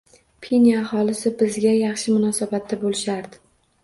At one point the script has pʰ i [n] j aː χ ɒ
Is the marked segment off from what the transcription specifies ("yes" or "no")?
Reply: no